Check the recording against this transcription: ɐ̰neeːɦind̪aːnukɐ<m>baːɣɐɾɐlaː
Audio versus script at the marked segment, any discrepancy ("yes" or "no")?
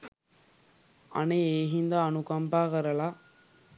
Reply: no